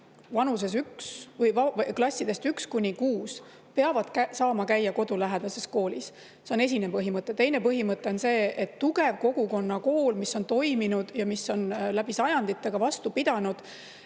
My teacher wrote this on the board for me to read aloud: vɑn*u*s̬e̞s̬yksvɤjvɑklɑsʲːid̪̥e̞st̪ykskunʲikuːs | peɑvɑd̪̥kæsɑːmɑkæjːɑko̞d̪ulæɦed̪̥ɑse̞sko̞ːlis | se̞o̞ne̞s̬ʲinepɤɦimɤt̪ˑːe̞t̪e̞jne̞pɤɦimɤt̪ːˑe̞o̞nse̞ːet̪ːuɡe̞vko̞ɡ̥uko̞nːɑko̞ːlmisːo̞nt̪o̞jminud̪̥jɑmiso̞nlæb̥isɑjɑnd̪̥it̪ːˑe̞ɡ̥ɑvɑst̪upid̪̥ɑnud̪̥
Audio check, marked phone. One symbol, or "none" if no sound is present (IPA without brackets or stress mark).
u